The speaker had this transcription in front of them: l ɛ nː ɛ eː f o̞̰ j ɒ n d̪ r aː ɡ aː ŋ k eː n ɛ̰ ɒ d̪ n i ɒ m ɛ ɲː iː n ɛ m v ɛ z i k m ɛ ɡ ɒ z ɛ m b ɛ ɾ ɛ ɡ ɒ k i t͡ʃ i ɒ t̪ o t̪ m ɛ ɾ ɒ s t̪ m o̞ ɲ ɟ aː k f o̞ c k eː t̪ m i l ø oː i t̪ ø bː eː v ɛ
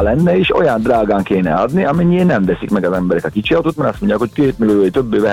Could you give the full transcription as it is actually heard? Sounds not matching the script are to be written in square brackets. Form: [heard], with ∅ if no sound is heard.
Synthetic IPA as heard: l ɛ nː ɛ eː [ʃ] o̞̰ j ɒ n d̪ r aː ɡ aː ŋ k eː n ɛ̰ ɒ d̪ n i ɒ m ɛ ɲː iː n ɛ m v ɛ [s] i k m ɛ ɡ ɒ z ɛ m b ɛ ɾ ɛ [k] ɒ k i t͡ʃ i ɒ t̪ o t̪ m ɛ ɾ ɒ s t̪ m o̞ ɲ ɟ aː k [h] o̞ c k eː t̪ m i l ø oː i t̪ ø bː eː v ɛ